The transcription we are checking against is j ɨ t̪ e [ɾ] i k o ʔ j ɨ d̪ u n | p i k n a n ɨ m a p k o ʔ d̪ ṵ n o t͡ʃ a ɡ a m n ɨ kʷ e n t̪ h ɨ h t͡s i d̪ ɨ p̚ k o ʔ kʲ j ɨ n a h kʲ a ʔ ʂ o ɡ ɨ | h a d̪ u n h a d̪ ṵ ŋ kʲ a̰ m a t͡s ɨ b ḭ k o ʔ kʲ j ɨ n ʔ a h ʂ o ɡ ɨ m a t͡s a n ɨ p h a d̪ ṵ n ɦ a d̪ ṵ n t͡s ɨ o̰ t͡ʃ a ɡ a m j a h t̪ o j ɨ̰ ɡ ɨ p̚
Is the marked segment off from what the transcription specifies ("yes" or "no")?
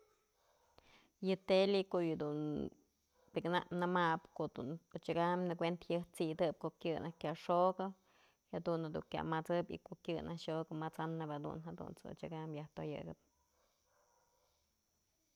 yes